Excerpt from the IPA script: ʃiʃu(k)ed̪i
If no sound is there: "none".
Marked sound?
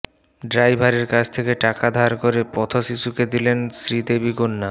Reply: k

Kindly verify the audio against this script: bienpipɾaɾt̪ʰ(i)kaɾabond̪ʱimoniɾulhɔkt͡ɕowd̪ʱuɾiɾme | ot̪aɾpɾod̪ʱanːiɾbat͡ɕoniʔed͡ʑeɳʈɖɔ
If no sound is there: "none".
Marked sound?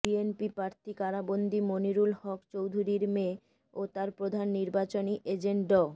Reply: i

